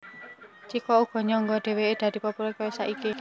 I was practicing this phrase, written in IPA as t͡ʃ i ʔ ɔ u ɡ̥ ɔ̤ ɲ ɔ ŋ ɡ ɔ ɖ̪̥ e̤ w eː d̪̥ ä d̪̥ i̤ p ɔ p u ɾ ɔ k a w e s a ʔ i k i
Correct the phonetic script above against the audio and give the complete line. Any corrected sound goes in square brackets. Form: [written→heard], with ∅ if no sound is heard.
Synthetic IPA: t͡ʃ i [ʔ→k] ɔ u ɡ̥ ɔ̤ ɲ ɔ ŋ ɡ ɔ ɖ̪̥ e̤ w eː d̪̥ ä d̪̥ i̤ p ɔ p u ɾ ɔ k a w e s a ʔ i k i